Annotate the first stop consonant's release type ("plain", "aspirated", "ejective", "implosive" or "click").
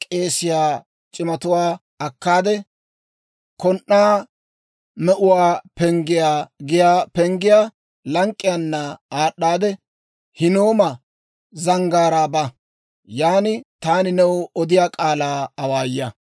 ejective